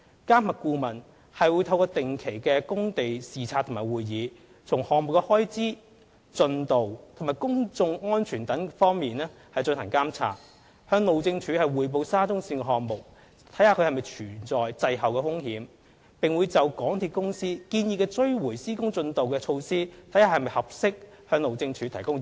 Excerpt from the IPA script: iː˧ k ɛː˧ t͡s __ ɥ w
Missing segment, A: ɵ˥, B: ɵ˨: A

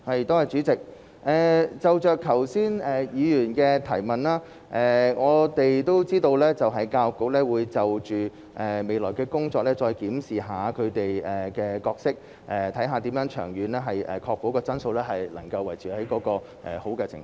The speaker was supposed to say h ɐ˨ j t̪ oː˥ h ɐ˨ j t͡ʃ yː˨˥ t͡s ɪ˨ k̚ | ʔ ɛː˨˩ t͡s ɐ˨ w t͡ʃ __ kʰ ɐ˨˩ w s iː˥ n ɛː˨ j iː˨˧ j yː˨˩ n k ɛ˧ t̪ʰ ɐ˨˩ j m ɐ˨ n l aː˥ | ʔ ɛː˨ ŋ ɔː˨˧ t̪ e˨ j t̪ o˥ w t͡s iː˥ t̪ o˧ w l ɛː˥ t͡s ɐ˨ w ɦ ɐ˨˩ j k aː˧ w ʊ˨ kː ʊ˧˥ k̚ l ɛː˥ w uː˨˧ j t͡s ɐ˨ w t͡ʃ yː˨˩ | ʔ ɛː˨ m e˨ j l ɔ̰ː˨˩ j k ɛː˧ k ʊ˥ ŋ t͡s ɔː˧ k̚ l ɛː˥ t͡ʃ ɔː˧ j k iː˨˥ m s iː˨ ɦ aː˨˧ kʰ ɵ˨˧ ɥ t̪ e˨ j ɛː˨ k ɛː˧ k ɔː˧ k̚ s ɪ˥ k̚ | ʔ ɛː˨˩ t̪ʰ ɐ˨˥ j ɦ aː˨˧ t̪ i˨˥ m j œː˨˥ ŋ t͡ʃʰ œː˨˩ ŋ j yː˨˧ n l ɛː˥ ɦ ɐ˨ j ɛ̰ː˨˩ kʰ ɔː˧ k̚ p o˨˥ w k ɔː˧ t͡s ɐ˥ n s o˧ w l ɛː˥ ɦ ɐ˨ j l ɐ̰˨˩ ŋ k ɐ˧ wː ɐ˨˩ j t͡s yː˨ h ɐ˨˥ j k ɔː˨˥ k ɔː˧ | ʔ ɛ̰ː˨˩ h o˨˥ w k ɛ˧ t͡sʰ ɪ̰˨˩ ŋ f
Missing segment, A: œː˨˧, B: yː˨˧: A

